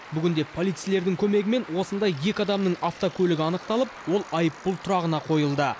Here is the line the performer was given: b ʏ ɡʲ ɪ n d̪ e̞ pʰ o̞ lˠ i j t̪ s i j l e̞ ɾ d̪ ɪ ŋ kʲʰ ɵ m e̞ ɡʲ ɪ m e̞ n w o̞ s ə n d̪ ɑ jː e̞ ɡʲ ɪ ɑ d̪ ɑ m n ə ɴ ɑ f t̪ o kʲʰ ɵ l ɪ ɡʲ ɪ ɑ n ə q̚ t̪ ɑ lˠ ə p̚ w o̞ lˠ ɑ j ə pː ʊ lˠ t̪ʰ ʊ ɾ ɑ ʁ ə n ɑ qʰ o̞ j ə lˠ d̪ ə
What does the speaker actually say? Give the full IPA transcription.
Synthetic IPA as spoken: b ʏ ɡʲ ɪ n d̪ e̞ pʰ o̞ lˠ i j t̪ s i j l e̞ ɾ d̪ ɪ ŋ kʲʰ ɵ m e̞ ɡʲ ɪ m e̞ n w o̞ s ə n d̪ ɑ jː e̞ kʲ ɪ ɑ d̪ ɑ m n ə ɴ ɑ f t̪ o kʲʰ ɵ l ɪ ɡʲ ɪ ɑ n ə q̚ t̪ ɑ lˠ ə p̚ w o̞ lˠ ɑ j ə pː ʊ lˠ t̪ʰ ʊ ɾ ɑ ʁ ə n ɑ qʰ o̞ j ə lˠ d̪ ə

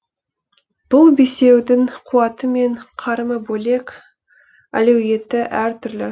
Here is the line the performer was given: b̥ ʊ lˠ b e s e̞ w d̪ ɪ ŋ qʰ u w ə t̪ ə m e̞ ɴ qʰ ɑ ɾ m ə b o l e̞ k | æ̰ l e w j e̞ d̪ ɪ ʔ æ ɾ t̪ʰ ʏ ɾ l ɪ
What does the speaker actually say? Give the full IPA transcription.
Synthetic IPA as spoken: b̥ ʊ lˠ b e s e̞ w d̪ ɪ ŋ qʰ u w ɑ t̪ ə m e̞ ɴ qʰ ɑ ɾ m ə b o l e̞ k | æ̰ l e w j e̞ t̪ ɪ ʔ æ ɾ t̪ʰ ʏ ɾ l ɪ

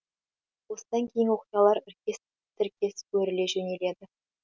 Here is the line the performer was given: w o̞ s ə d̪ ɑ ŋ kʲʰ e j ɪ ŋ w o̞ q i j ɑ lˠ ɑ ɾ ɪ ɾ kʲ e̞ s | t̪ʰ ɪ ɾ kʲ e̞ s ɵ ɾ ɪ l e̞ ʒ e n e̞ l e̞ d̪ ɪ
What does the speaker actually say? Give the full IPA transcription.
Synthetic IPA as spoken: w o̞ s ə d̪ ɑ ŋ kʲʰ e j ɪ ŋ w o̞ q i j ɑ lˠ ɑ ɾ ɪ ɾ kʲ e̞ s | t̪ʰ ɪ ɾ kʲ e̞ s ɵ ɾ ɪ l e̞ ʒ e n e̞ l e̞ d̪ ɪ

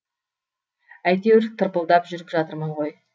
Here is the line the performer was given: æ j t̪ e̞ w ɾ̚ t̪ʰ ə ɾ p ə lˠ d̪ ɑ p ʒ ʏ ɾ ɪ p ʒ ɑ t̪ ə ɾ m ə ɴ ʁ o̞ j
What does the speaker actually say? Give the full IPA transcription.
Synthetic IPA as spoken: æ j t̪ e̞ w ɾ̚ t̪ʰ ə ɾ p ə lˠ d̪ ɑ p ʒ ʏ ɾ ɪ p ʒ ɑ t̪ ə ɾ m ə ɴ ʁ o̞ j

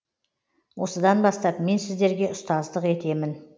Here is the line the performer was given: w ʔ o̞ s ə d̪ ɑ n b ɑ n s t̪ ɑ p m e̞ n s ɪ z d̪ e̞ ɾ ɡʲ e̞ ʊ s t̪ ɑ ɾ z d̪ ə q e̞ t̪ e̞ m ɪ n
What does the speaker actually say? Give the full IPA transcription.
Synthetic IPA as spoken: w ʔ o̞ s ə d̪ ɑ n b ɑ s t̪ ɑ p m e̞ n s ɪ z d̪ e̞ ɾ ɡʲ e̞ ʊ s t̪ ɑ z d̪ ə q e̞ t̪ e̞ m ɪ n

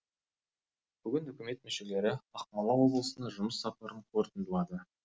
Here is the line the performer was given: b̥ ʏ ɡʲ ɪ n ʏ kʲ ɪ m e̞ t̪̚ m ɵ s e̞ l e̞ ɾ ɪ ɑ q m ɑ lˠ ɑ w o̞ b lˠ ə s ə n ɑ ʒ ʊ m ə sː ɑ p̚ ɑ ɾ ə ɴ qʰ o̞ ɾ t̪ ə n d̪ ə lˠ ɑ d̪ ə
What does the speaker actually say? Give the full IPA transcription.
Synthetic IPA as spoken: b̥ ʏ ɡʲ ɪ n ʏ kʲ ɪ m e̞ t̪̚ m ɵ ʃ e̞ l e̞ ɾ ɪ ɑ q m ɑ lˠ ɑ w o̞ b lˠ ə s ə n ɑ ʒ ʊ m ə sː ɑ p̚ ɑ ɾ ə ɴ qʰ o̞ ɾ t̪ ə n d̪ ə lˠ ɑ d̪ ə

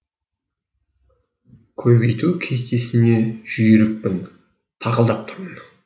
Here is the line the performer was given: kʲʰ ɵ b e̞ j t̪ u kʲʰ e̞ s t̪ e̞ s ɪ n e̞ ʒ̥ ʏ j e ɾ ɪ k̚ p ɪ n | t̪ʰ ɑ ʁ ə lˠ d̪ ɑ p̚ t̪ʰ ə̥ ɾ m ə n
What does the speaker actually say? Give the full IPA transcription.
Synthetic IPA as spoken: kʲʰ ɵ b e̞ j t̪ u kʲʰ e̞ s t̪ e̞ s ɪ n e̞ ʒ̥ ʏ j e ɾ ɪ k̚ p ɪ n | t̪ʰ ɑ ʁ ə lˠ d̪ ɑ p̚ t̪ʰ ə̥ ɾ m ə n

